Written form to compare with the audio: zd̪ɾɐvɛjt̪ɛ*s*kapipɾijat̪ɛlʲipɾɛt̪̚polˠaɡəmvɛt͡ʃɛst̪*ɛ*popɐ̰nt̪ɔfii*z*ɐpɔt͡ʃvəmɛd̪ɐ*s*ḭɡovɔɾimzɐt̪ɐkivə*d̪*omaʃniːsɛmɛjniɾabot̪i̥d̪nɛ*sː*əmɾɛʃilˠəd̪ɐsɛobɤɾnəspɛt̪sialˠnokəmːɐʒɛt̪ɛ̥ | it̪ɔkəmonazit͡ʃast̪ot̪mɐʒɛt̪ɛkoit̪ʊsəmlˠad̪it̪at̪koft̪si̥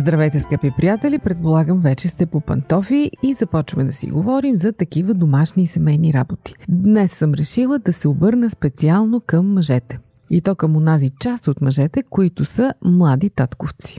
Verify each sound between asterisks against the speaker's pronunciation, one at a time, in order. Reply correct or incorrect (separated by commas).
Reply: correct, correct, correct, correct, correct, correct